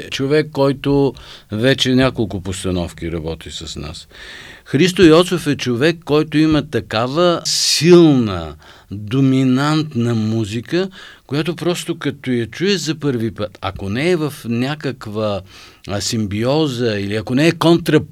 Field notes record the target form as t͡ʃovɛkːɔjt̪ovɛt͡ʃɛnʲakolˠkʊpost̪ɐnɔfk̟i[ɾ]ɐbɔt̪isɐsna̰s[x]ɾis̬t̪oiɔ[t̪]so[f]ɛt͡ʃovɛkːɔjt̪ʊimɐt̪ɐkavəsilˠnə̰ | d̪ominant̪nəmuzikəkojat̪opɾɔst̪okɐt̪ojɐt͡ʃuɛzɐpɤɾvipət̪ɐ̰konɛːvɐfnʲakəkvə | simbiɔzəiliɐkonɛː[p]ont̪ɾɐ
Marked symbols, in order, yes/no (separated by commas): yes, yes, yes, yes, no